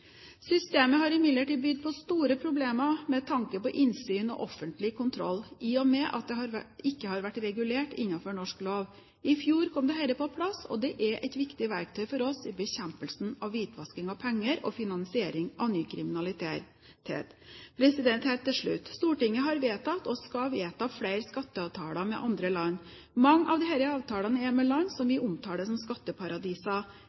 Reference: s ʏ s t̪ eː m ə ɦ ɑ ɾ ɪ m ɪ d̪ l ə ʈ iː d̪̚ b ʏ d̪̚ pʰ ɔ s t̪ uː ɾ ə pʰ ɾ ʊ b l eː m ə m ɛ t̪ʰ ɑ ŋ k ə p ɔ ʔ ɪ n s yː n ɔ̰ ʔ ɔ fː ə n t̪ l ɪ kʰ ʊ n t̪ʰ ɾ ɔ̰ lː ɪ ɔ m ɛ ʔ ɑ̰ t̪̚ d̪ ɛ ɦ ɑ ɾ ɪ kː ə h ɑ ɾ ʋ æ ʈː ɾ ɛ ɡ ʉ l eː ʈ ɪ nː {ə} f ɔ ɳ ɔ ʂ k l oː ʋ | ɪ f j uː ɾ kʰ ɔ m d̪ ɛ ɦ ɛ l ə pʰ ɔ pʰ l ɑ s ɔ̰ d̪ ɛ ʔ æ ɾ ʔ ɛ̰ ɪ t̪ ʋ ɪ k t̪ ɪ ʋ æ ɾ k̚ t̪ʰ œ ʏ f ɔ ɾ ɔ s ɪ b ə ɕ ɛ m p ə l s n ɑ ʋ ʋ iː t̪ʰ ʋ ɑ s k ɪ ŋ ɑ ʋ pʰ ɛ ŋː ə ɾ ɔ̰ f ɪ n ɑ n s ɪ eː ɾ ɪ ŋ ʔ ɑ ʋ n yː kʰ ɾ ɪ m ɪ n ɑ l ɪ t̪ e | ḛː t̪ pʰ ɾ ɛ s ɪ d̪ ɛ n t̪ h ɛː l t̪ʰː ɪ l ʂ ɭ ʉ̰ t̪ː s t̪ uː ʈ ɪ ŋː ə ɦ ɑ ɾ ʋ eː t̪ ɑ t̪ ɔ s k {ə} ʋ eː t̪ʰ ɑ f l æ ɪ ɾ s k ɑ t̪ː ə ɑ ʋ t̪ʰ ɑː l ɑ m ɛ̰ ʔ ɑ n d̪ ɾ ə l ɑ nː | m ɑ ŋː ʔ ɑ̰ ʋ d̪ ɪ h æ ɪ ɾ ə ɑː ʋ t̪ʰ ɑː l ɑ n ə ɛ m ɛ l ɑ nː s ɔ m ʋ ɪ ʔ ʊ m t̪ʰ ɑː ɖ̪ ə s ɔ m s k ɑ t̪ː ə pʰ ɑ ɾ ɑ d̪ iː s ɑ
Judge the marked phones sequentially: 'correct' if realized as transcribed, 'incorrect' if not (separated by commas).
incorrect, incorrect